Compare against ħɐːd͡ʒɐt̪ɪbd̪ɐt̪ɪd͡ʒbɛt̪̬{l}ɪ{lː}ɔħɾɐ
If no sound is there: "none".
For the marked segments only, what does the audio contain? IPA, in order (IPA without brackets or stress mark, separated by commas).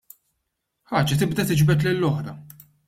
l, lː